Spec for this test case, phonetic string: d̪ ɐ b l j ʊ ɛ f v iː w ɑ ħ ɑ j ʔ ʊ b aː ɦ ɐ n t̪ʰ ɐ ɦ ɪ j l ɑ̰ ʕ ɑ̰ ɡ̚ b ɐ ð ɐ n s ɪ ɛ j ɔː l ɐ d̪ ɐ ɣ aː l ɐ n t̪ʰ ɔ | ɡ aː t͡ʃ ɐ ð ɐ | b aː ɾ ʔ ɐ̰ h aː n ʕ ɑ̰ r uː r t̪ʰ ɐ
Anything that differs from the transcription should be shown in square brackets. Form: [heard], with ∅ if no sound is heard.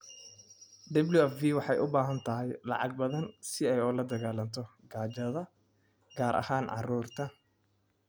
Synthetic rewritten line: d̪ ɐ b l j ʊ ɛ f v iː w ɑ ħ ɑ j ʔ ʊ b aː ɦ ɐ n t̪ʰ ɐ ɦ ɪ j l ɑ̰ ʕ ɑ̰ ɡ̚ b ɐ ð ɐ n s ɪ ɛ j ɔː l ɐ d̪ ɐ ɣ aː l ɐ n t̪ʰ ɔ | ɡ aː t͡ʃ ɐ ð ɐ | [ɡ] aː ɾ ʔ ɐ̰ h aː n ʕ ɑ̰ r uː r t̪ʰ ɐ